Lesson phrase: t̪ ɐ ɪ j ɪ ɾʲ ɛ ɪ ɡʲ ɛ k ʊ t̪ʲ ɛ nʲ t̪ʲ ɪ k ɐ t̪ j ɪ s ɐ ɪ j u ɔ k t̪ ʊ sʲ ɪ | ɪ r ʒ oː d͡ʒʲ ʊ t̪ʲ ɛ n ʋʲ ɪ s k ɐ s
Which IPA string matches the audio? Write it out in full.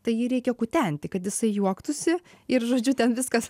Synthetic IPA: t̪ ɐ ɪ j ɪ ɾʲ ɛ ɪ kʲ ɛ k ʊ t̪ʲ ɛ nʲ t̪ʲ ɪ k ɐ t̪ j ɪ s ɐ ɪ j u ɔ k t̪ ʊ sʲ ɪ | ɪ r ʒ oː d͡ʒʲ ʊ t̪ʲ ɛ n ʋʲ ɪ s k ɐ s